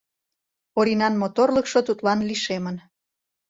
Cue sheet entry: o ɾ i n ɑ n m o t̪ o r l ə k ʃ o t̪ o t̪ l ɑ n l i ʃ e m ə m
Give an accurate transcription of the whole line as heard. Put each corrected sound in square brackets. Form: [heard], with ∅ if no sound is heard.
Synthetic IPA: o ɾ i n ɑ n m o t̪ o r l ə k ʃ o t̪ [u] t̪ l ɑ n l i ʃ e m ə [n]